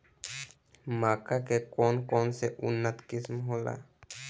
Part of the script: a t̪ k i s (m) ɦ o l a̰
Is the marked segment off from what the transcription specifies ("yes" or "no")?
no